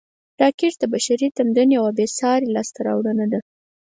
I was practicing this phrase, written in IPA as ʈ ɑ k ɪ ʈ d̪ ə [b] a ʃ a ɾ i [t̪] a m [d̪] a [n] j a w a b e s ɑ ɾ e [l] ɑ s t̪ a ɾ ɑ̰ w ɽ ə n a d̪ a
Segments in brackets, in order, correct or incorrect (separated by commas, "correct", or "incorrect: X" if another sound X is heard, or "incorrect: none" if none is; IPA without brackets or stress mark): correct, correct, correct, correct, correct